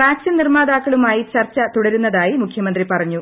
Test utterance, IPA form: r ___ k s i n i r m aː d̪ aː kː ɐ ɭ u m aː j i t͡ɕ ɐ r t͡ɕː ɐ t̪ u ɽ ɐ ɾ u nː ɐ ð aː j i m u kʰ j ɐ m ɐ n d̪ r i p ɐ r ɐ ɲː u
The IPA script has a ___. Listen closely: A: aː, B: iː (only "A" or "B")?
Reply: A